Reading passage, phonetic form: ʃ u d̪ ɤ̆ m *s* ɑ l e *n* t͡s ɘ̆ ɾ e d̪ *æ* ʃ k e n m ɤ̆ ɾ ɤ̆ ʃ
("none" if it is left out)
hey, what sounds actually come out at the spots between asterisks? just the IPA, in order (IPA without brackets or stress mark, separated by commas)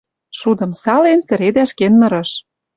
s, n, æ